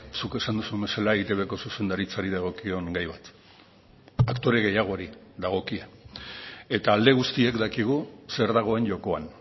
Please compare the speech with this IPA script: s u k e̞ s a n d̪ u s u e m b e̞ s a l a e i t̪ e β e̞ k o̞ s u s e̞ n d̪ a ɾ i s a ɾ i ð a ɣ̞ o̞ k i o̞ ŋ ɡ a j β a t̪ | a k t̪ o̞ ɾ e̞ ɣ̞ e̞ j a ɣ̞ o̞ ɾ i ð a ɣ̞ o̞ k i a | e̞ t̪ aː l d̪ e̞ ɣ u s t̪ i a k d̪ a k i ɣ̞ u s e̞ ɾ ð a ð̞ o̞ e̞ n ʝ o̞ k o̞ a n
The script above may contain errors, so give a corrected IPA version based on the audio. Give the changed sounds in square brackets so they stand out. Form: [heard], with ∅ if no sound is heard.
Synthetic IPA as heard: s u k e̞ s a n d̪ u s u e m b e̞ s a l a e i t̪ e β e̞ k o̞ s u s e̞ n d̪ a ɾ i [t͡s] a ɾ i ð a ɣ̞ o̞ k i o̞ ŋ ɡ a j β a t̪ | a k t̪ o̞ ɾ e̞ ɣ̞ e̞ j a ɣ̞ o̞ ɾ i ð a ɣ̞ o̞ k i a | e̞ t̪ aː l d̪ e̞ ɣ u s t̪ i [e] k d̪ a k i ɣ̞ u s e̞ ɾ ð a [ɣ̞] o̞ e̞ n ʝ o̞ k o̞ a n